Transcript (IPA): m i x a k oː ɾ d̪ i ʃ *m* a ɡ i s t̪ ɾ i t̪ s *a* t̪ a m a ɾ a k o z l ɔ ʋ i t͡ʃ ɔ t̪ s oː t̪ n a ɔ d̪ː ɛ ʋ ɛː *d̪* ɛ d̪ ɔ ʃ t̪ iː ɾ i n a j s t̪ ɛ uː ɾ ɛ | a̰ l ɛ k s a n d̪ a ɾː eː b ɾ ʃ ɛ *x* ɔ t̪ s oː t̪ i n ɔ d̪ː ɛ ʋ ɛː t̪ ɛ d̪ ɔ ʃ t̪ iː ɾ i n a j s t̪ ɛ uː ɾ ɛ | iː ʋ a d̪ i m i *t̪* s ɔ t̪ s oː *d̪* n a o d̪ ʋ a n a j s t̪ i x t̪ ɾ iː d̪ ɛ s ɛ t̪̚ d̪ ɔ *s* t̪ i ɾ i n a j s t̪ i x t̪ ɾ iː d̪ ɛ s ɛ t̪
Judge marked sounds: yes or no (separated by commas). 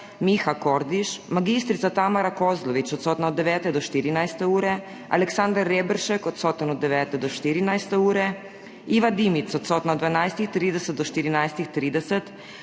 yes, yes, no, no, yes, no, no